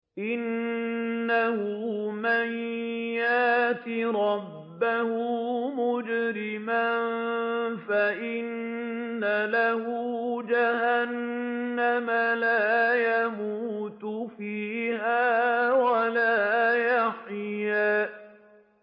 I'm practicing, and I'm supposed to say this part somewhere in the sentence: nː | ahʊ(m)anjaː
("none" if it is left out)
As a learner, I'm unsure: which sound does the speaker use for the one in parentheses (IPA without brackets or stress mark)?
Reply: m